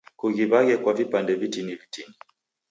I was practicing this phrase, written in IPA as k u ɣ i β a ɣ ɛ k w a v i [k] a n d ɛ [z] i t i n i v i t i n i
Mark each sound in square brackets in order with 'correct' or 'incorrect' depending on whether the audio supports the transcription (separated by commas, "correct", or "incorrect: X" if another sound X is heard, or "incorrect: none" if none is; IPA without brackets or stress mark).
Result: incorrect: p, incorrect: v